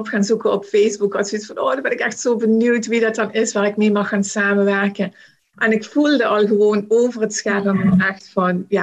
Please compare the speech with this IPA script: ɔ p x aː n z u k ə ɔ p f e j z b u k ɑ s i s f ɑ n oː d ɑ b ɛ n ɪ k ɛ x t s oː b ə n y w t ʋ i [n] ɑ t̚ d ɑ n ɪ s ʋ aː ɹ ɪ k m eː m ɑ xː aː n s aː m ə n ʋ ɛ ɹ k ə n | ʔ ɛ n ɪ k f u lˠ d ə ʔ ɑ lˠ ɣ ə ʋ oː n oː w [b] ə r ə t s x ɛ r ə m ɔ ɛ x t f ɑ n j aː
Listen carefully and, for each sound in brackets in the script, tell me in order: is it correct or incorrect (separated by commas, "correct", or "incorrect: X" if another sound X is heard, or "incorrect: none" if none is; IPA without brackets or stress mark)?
incorrect: d, incorrect: v